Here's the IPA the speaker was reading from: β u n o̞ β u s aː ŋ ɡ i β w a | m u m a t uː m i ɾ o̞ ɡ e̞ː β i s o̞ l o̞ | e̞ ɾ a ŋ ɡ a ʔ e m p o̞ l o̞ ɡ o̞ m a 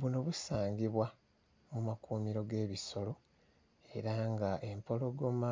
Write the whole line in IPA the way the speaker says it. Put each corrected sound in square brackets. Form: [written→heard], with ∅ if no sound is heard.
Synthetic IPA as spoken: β u n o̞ β u s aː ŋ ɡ i β w a | m u m a [t→k] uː m i ɾ o̞ ɡ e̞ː β i s o̞ l o̞ | e̞ ɾ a ŋ ɡ a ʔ e m p o̞ l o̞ ɡ o̞ m a